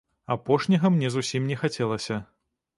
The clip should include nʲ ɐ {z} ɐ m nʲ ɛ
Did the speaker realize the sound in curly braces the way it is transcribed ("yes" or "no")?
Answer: no